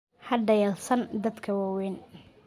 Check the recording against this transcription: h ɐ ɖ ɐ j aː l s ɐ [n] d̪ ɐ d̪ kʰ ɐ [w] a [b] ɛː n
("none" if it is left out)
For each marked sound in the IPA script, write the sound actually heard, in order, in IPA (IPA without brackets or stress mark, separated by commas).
n, w, w